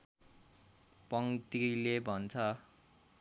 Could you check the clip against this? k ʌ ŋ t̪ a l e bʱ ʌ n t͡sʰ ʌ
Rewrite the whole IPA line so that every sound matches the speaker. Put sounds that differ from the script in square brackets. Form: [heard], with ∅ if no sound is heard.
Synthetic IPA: [p] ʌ ŋ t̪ [i] l e bʱ ʌ n t͡sʰ ʌ